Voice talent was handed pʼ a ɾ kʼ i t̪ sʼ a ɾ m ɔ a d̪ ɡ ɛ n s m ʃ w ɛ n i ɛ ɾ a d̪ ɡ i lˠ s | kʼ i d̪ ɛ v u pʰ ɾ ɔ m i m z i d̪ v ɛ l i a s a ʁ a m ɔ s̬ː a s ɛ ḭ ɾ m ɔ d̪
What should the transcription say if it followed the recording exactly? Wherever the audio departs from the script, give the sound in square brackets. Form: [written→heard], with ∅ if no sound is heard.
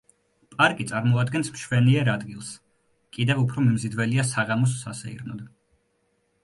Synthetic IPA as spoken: pʼ a ɾ kʼ i t̪ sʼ a ɾ m ɔ a d̪ ɡ ɛ n s m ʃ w ɛ n i ɛ ɾ a d̪ ɡ i lˠ s | kʼ i d̪ ɛ v u pʰ ɾ ɔ m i m z i d̪ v ɛ l i a s a ʁ a m ɔ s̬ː a s ɛ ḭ ɾ [m→n] ɔ d̪